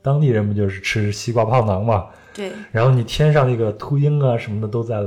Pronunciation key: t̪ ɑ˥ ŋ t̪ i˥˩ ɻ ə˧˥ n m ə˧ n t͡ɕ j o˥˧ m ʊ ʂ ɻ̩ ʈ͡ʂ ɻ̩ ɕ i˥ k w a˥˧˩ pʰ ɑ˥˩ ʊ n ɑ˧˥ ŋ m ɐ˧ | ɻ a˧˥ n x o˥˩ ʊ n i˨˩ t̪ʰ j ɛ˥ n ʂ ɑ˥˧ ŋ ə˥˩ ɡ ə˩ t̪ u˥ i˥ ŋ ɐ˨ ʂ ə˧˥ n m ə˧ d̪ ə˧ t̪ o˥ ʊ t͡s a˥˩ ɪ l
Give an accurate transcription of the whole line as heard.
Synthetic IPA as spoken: t̪ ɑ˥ ŋ t̪ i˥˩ ɻ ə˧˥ n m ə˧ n t͡ɕ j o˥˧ ʊ ʂ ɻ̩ ʈ͡ʂʰ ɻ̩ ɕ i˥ k w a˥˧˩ pʰ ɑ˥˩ ʊ n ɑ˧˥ ŋ m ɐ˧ | ɻ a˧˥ n x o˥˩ ʊ n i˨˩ t̪ʰ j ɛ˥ n ʂ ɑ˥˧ ŋ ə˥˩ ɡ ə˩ t̪ʰ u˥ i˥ ŋ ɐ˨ ʂ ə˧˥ n m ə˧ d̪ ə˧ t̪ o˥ ʊ t͡s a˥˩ ɪ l